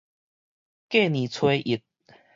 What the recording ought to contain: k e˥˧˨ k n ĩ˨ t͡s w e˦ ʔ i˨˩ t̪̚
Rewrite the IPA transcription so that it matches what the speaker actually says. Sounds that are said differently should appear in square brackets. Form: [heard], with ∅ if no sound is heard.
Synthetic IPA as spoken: k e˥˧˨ [∅] n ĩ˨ [t͡sʰ] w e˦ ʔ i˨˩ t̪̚